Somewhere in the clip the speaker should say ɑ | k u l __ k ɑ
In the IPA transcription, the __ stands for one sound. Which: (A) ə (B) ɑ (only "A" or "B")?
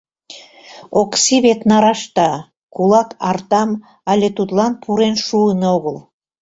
B